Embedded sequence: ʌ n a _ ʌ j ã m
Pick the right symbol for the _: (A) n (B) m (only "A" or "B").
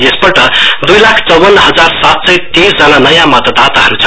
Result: A